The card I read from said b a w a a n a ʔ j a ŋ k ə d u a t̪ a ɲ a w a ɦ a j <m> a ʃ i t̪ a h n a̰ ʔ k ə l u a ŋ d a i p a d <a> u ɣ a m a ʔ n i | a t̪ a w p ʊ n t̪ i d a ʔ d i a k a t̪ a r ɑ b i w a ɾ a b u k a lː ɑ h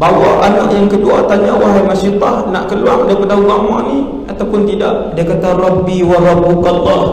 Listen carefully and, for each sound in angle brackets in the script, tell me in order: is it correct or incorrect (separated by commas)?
correct, correct